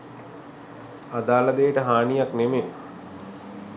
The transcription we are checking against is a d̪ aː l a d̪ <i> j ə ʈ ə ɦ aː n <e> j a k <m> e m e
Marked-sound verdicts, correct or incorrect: incorrect: e, incorrect: i, incorrect: n

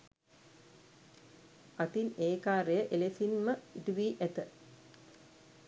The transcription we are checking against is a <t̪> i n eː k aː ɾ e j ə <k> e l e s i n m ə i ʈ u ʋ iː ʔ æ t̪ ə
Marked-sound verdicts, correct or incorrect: correct, incorrect: ʔ

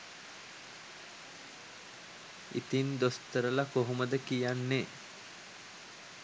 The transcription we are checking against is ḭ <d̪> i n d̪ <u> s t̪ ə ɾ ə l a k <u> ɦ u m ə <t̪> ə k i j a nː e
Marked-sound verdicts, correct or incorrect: incorrect: t̪, incorrect: o, incorrect: o, incorrect: d̪

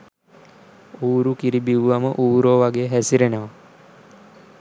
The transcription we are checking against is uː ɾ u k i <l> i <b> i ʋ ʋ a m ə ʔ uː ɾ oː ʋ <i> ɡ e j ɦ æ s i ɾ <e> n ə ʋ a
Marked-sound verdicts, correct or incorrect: incorrect: ɾ, correct, incorrect: a, correct

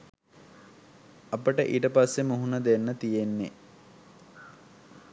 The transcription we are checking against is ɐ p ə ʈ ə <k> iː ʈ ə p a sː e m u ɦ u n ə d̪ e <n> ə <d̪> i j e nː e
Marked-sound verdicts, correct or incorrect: incorrect: ʔ, incorrect: nː, incorrect: t̪

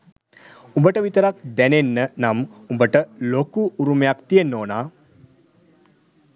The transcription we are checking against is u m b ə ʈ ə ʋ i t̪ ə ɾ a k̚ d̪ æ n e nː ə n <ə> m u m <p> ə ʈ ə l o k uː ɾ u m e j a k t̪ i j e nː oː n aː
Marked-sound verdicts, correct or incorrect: incorrect: a, incorrect: b

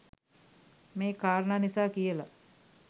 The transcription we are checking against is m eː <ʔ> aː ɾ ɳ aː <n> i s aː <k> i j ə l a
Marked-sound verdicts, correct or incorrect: incorrect: k, correct, correct

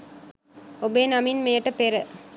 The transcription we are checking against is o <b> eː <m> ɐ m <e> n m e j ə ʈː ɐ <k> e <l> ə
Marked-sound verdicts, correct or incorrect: correct, incorrect: n, incorrect: i, incorrect: p, incorrect: ɾ

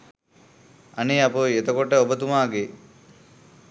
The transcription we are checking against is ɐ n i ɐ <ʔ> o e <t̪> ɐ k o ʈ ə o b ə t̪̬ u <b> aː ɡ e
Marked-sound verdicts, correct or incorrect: incorrect: p, correct, incorrect: m

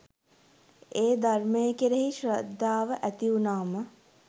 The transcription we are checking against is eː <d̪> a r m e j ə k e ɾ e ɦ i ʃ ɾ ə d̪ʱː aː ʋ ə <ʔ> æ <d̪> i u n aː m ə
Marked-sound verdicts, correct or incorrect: correct, correct, incorrect: t̪

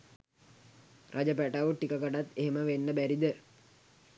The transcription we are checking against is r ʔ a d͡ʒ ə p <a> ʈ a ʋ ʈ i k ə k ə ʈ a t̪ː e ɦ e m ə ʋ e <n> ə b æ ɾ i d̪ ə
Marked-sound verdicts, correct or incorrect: incorrect: æ, incorrect: nː

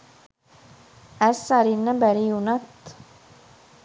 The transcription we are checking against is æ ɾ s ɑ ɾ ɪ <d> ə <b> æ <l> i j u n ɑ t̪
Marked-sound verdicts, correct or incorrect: incorrect: n, correct, incorrect: ɾ

